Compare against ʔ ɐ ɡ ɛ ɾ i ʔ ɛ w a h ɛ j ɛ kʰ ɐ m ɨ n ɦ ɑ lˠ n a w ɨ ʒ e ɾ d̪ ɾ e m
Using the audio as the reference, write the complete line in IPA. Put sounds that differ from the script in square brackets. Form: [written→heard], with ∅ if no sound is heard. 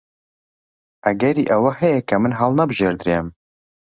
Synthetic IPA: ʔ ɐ ɡ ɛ ɾ i ʔ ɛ w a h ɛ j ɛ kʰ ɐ m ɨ n ɦ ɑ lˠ n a [w→b] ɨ ʒ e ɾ d̪ ɾ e m

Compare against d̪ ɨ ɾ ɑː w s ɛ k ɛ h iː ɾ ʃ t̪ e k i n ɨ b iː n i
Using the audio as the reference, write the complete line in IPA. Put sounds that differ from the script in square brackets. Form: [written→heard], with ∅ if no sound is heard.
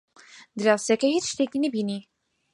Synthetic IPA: d̪ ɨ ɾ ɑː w s ɛ k ɛ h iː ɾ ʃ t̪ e k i n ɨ b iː n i

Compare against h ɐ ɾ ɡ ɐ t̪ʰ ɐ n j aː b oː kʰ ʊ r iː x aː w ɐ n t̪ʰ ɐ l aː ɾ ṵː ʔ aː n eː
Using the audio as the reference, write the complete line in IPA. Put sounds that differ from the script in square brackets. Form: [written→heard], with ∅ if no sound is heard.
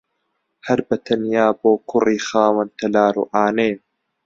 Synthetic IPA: h ɐ ɾ [ɡ→b] ɐ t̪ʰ ɐ n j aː b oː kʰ ʊ r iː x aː w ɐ n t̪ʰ ɐ l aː ɾ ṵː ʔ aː n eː

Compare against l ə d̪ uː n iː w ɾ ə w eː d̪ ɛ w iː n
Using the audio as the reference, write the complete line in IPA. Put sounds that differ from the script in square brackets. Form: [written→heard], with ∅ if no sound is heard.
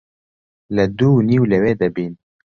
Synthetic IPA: l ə d̪ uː n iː w [ɾ→l] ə w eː d̪ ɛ [w→b] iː n

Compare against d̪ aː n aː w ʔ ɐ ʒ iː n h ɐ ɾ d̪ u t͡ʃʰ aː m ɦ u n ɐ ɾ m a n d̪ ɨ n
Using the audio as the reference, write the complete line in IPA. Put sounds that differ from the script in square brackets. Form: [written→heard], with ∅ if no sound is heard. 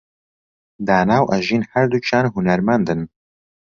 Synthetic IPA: d̪ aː n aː w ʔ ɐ ʒ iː n h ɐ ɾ d̪ u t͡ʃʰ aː [m→n] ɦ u n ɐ ɾ m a n d̪ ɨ n

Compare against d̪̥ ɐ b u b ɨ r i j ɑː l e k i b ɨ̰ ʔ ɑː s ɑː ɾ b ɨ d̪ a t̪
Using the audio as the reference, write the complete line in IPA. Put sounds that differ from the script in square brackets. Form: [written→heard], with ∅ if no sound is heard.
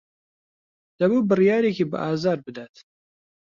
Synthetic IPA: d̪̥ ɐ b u b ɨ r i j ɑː [l→ɾ] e k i b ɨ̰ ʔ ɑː [s→z] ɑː ɾ b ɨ d̪ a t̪

